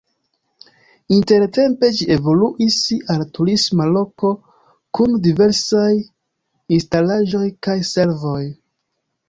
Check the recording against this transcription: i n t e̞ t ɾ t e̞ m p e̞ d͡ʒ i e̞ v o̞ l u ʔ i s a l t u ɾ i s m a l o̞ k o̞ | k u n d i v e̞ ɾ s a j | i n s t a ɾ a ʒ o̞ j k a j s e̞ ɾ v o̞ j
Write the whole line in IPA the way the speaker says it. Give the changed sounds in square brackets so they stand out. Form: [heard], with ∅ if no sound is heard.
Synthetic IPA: i n t e̞ [∅] ɾ t e̞ m p e̞ d͡ʒ i e̞ v o̞ l u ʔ i s a l t u ɾ i s m a l o̞ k o̞ | k u n d i v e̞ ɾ s a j | i n s t a [l] a ʒ o̞ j k a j s e̞ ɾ v o̞ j